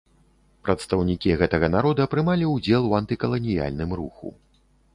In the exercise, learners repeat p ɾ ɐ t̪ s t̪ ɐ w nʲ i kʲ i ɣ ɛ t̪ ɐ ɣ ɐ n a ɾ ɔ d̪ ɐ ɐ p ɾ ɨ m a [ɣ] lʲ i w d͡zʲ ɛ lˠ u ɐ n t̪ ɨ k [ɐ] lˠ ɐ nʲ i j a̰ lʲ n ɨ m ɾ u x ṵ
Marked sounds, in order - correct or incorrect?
incorrect: none, correct

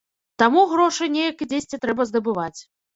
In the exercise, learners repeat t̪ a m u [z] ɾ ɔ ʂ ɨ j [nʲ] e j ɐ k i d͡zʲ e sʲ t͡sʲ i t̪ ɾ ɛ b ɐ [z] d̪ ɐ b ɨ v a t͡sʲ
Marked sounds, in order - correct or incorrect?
incorrect: ɣ, correct, correct

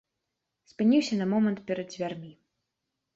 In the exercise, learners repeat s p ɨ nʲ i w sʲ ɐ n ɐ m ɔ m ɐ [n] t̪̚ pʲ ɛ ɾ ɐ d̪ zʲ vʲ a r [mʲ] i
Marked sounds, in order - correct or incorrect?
correct, correct

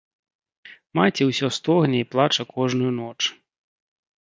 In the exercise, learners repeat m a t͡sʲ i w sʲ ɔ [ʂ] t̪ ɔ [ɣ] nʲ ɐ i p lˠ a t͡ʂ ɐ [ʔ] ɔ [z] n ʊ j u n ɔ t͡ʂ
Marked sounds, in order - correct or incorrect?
incorrect: s, correct, incorrect: k, incorrect: ʐ

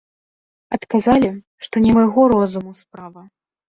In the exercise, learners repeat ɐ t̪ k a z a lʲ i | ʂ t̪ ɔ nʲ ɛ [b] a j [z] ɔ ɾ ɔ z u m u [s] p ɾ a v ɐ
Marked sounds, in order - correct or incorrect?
incorrect: m, incorrect: ɣ, correct

